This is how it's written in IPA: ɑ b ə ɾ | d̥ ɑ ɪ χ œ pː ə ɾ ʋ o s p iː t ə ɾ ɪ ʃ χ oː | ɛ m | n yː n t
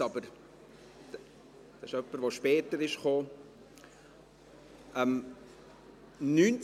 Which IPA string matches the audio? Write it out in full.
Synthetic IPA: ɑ b ə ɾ | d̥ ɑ ɪ ʃ œ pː ə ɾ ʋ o ʃ p ɛː t ə ɾ ɪ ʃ χ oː | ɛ m | n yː n t͡s